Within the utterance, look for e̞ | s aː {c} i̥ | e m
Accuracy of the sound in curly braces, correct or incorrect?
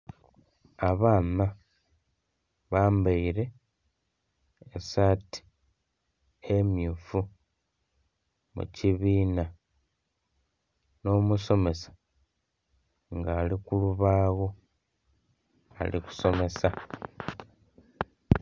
incorrect